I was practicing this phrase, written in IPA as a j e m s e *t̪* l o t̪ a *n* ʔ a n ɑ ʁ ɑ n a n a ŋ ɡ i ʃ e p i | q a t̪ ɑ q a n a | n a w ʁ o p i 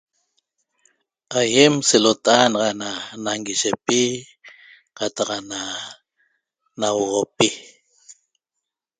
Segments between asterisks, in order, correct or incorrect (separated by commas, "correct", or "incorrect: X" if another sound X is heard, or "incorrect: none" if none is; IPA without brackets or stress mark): incorrect: none, incorrect: none